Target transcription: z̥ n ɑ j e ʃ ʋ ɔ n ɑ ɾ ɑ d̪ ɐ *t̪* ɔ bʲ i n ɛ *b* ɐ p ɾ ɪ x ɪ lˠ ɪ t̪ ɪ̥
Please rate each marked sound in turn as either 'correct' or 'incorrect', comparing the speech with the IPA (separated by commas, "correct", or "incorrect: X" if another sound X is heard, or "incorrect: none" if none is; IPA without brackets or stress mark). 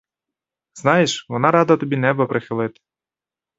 correct, correct